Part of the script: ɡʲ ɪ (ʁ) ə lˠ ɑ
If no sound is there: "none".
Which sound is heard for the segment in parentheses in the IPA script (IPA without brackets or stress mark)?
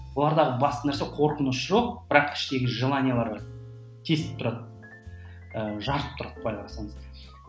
ʒ